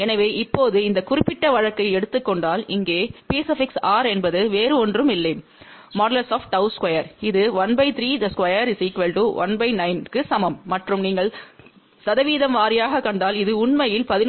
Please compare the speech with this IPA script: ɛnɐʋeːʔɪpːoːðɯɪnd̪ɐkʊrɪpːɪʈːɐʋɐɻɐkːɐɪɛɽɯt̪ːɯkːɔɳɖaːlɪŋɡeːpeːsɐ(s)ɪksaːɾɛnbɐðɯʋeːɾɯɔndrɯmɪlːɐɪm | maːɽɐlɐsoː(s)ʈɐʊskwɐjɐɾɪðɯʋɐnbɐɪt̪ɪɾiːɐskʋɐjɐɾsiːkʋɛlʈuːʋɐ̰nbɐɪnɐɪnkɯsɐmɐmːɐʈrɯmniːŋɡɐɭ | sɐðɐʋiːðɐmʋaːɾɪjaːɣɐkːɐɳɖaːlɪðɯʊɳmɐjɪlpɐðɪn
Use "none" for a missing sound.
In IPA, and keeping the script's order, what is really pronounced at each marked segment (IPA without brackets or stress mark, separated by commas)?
f, f